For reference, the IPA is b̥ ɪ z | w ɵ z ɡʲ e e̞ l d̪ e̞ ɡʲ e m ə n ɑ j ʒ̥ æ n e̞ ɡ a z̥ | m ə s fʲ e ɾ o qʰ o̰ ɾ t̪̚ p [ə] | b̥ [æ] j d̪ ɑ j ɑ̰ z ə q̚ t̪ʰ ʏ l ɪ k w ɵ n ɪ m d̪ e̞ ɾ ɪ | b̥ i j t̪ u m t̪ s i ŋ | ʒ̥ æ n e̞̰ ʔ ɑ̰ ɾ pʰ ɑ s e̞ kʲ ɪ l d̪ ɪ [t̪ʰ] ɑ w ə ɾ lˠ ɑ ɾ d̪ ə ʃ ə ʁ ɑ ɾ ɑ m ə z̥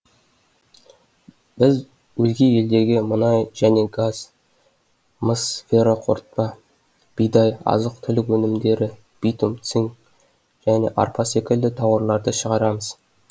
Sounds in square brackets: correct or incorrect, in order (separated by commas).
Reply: incorrect, incorrect, correct